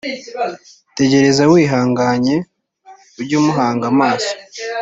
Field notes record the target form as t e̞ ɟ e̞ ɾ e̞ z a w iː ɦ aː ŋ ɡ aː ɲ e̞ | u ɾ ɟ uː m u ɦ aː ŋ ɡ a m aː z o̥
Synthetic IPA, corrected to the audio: t e̞ ɟ e̞ ɾ e̞ z a w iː ɦ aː ŋ ɡ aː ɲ e̞ | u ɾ ɟ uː m u ɦ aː ŋ ɡ a m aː s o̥